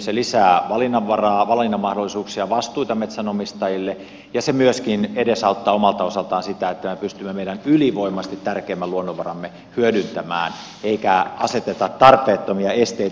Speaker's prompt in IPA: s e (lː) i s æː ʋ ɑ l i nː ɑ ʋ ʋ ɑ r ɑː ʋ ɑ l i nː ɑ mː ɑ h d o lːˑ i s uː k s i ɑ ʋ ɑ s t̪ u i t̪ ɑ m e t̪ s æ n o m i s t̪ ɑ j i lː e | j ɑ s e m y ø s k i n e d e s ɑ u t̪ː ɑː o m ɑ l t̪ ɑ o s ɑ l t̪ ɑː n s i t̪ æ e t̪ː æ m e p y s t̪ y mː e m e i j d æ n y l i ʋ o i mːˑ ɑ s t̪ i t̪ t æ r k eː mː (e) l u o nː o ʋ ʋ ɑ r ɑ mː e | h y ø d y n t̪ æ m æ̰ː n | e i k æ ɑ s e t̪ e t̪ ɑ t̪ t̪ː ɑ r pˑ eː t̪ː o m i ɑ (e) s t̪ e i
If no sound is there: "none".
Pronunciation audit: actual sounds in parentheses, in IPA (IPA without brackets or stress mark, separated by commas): l, æ, e